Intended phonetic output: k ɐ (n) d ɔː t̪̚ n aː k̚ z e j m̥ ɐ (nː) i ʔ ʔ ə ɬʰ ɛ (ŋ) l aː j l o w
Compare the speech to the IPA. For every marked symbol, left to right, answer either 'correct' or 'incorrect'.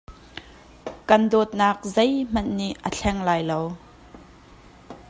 correct, correct, correct

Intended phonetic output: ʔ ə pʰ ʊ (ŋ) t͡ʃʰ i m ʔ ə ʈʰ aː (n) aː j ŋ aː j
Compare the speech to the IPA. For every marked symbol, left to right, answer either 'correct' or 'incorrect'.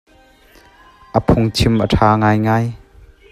correct, incorrect: ŋ

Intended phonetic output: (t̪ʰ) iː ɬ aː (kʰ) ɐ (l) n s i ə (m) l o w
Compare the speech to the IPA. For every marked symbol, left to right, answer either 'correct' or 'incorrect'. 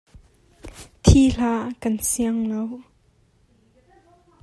correct, incorrect: k, incorrect: none, incorrect: ŋ

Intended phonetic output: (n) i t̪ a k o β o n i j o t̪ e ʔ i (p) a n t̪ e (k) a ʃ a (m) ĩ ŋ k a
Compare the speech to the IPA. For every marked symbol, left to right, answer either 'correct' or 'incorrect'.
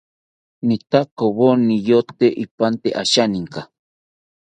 correct, correct, incorrect: ʔ, incorrect: n

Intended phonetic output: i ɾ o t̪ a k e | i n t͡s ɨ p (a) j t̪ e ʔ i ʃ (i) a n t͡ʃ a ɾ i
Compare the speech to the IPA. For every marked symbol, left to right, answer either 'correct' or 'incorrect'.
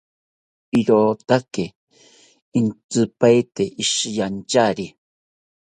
correct, incorrect: j

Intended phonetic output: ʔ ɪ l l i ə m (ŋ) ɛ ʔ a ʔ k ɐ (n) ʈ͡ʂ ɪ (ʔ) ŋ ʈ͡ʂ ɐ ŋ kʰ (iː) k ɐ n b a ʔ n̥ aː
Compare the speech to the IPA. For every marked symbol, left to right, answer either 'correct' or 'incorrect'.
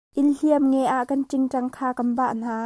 correct, correct, incorrect: none, incorrect: aː

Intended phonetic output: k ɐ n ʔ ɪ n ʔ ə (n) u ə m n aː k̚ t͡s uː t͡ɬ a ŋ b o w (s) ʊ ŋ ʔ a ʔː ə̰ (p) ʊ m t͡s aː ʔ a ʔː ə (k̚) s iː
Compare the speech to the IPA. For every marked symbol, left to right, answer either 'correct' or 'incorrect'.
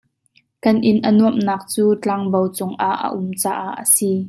correct, incorrect: t͡s, incorrect: ʔ, incorrect: none

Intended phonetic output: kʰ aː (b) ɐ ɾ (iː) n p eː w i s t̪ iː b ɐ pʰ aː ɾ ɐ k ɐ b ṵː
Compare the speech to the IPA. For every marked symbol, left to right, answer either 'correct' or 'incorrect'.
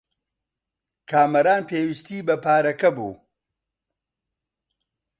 incorrect: m, incorrect: aː

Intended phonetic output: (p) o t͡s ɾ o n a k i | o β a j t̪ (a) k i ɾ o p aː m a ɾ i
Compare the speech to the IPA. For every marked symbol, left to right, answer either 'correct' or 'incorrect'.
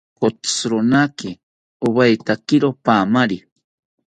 incorrect: k, correct

